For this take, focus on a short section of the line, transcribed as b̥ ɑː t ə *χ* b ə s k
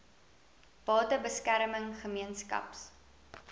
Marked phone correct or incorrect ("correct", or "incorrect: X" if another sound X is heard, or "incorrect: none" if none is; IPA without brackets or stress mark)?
incorrect: none